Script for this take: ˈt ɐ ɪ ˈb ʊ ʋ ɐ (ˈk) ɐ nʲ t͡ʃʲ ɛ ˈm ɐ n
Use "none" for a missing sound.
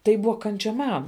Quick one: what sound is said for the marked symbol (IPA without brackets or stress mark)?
k